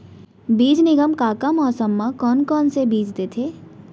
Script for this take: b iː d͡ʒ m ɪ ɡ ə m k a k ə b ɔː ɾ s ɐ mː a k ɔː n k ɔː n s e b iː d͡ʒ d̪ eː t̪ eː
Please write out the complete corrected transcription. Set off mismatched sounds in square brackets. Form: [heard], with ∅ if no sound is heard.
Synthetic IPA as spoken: b iː d͡ʒ [n] ɪ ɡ ə m k a k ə [m] ɔː ɾ s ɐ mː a k ɔː n k ɔː n s e b iː d͡ʒ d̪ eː [t̪ʰ] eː